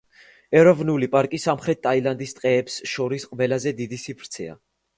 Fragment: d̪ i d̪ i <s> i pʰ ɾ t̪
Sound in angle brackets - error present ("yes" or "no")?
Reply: no